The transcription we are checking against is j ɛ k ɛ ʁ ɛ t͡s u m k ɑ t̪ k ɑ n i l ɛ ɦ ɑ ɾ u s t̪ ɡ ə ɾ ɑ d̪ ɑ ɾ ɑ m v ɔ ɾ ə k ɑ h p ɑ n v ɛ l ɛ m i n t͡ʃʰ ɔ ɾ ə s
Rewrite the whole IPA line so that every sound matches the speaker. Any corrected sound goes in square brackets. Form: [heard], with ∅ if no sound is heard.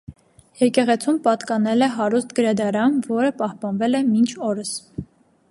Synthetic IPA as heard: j ɛ k ɛ ʁ ɛ [t͡sʰ] u m [p] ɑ t̪ k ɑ n [ɛ] l ɛ ɦ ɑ ɾ u s t̪ ɡ ə ɾ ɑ d̪ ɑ ɾ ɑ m v ɔ ɾ ə [p] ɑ h p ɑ n v ɛ l ɛ m i n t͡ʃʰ ɔ ɾ ə s